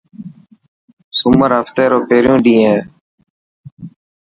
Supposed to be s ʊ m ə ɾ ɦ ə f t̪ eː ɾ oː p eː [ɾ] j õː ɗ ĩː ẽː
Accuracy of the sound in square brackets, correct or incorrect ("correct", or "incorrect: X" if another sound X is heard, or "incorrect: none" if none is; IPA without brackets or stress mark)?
correct